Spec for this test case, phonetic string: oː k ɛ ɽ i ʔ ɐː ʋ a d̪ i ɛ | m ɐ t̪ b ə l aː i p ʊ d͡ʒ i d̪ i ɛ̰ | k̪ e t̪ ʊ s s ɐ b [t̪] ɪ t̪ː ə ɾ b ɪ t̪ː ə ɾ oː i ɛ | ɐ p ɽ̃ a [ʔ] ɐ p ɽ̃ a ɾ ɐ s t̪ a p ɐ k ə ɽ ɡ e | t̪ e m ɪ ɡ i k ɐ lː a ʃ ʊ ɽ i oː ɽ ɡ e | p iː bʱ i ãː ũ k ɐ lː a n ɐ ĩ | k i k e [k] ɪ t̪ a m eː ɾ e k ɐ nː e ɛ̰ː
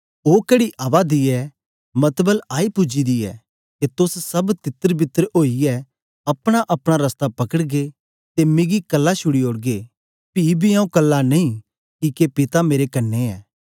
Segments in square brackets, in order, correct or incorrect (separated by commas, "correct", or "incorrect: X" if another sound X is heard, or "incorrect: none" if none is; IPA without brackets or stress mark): correct, correct, incorrect: p